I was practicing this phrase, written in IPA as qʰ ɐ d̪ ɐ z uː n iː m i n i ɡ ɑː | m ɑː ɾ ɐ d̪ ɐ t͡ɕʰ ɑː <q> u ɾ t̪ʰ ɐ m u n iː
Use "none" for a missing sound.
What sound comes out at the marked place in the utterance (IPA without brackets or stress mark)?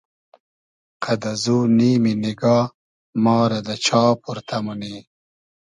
p